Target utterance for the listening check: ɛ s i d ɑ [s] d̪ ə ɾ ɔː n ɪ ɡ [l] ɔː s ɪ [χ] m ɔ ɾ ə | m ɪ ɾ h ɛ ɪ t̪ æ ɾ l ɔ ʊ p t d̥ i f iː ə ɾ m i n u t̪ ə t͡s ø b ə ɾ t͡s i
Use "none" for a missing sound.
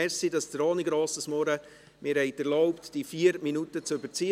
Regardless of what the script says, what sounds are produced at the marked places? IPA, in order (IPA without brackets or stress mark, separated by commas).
s, ɾ, s